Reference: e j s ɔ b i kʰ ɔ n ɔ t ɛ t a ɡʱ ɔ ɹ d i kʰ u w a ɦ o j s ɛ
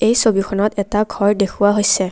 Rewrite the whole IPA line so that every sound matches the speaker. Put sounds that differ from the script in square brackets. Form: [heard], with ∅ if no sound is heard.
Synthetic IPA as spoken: e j s [o] b i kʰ ɔ n ɔ t ɛ t a ɡʱ ɔ ɹ d [e] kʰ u w a ɦ o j s ɛ

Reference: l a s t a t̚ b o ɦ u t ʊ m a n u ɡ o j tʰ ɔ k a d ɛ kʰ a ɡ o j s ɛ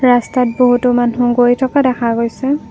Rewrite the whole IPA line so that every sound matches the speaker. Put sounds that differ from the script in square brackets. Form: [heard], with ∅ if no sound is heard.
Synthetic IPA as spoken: [ɹ] a s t a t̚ b o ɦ u t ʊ m a n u ɡ o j tʰ ɔ k a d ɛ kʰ a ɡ o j s ɛ

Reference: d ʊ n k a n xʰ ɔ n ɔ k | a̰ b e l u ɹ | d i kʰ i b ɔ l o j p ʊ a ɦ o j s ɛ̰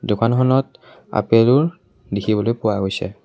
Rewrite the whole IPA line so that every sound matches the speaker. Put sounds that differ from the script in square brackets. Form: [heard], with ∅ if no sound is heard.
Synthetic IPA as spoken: d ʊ [∅] k a n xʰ ɔ n ɔ [t] | a̰ [p] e l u ɹ | d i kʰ i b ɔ l o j p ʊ a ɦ o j s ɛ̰

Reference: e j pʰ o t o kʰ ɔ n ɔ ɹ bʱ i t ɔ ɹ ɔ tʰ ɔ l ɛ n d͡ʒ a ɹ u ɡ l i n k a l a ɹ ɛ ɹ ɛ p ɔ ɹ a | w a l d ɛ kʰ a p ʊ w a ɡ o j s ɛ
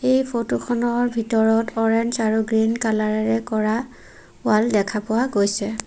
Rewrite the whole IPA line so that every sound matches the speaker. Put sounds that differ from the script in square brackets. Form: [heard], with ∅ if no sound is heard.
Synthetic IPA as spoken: e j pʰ o t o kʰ ɔ n ɔ ɹ bʱ i t ɔ ɹ ɔ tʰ ɔ [ɹ] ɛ n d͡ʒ a ɹ u ɡ [ɹ] i n k a l a ɹ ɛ ɹ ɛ [k] ɔ ɹ a | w a l d ɛ kʰ a p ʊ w a ɡ o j s ɛ

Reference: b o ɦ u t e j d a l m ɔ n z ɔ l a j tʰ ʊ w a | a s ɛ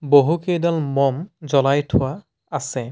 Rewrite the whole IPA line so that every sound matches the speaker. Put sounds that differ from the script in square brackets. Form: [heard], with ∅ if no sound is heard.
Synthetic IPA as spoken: b o ɦ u [k] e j d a l m ɔ [m] z ɔ l a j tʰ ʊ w a | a s ɛ

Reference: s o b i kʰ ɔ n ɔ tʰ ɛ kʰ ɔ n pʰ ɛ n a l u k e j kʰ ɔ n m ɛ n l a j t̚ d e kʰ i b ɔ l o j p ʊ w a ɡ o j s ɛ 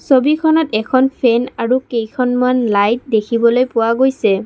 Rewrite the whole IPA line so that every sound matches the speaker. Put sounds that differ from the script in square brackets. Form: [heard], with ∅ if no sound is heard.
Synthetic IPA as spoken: s o b i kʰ ɔ n ɔ [t] ɛ kʰ ɔ n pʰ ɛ n a [ɹ] u k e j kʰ ɔ n m [a] n l a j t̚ d e kʰ i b ɔ l o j p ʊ w a ɡ o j s ɛ

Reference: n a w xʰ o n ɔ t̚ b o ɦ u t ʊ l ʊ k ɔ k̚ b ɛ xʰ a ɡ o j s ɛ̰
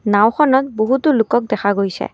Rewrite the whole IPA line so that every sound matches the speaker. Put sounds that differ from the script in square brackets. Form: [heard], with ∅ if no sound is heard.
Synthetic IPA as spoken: n a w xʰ [ɔ] n ɔ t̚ b o ɦ u t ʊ l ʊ k ɔ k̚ [d] ɛ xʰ a ɡ o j s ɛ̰

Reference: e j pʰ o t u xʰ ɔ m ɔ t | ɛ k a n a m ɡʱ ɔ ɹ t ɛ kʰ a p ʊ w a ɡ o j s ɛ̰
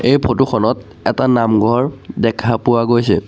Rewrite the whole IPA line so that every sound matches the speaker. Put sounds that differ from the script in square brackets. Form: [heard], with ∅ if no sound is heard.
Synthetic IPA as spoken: e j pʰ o t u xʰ ɔ [n] ɔ t | ɛ [t] a n a m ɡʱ ɔ ɹ [d] ɛ kʰ a p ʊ w a ɡ o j s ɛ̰

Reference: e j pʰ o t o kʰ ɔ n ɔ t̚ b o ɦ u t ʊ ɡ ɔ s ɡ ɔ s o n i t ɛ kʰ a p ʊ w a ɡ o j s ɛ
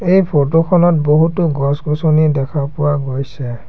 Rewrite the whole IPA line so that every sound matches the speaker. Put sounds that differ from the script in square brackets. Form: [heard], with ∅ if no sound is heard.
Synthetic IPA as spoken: e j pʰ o t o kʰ ɔ n ɔ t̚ b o ɦ u t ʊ ɡ ɔ s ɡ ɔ s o n i [d] ɛ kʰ a p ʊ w a ɡ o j s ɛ

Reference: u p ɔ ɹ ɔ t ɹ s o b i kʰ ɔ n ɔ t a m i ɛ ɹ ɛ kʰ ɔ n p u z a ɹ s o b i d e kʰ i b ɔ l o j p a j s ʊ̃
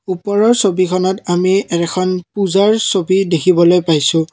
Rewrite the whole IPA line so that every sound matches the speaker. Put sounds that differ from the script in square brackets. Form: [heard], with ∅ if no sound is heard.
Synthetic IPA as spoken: u p ɔ ɹ ɔ [∅] ɹ s o b i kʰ ɔ n ɔ t a m i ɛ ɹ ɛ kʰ ɔ n p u z a ɹ s o b i d e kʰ i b ɔ l o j p a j s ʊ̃

